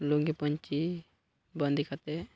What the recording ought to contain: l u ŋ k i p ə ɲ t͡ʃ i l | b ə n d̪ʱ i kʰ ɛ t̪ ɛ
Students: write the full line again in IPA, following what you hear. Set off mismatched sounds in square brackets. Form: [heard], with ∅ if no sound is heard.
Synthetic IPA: l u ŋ [ɡ] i p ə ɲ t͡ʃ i [∅] | b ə n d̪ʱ i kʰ [a] t̪ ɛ